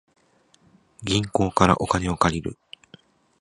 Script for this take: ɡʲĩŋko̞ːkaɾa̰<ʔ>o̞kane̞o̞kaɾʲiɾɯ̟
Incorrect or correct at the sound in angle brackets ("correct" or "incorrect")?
correct